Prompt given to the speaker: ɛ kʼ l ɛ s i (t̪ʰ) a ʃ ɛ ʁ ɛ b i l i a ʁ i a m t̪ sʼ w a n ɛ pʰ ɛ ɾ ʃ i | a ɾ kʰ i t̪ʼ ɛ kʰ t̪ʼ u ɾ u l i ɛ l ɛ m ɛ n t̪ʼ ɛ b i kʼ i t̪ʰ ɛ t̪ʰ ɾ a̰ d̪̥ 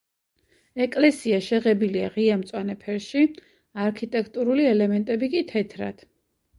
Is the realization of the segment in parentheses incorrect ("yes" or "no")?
yes